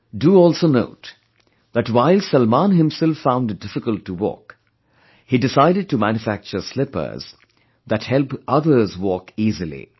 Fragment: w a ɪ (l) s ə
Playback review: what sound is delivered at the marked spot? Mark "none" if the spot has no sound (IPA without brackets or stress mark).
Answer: l